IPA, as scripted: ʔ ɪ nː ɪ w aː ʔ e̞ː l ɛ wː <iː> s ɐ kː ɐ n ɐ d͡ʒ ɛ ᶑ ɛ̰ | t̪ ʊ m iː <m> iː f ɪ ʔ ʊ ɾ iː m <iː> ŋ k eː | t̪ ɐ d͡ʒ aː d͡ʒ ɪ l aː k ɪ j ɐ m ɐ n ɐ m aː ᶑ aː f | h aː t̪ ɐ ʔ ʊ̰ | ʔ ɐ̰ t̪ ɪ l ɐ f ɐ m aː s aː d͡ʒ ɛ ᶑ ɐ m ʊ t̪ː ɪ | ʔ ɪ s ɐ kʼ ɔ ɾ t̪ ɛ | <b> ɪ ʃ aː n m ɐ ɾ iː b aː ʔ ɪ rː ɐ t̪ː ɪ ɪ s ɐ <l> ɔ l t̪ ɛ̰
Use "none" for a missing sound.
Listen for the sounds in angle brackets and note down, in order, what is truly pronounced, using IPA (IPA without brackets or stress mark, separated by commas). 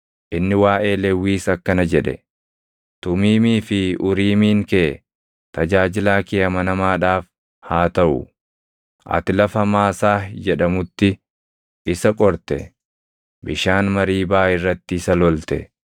iː, m, iː, b, l